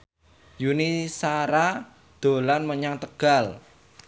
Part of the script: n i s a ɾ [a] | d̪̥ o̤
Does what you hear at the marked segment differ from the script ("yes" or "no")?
no